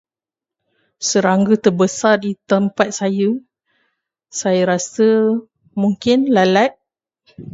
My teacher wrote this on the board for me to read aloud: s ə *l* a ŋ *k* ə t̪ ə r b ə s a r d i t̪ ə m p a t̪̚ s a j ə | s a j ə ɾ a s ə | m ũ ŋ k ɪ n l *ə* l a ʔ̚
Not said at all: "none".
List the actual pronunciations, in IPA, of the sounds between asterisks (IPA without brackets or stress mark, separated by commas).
ɾ, ɡ, a